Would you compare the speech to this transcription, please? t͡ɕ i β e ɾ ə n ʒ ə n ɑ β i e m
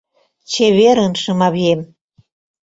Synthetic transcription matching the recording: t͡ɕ e β e ɾ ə n ʃ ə m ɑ β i e m